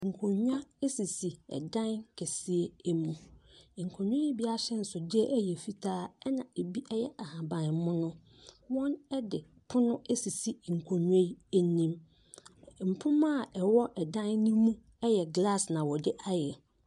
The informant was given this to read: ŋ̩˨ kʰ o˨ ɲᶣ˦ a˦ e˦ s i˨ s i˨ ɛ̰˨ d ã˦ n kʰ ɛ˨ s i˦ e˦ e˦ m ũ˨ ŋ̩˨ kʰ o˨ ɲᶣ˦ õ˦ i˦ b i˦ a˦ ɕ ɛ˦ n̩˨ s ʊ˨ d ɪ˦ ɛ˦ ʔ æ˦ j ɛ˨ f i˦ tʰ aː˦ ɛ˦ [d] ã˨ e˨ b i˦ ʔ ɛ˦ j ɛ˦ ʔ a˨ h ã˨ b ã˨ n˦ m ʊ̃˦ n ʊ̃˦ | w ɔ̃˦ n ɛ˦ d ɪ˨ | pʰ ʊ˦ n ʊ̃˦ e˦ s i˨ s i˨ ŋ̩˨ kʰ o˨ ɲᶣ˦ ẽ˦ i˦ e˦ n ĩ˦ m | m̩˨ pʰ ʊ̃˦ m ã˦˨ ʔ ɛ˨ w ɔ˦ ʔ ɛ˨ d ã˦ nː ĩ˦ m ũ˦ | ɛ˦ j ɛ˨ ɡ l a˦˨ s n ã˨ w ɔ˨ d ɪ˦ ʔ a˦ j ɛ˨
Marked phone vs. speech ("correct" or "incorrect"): incorrect